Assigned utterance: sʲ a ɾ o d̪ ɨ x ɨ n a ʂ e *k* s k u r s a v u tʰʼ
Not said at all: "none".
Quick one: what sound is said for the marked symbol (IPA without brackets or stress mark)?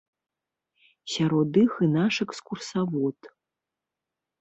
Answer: k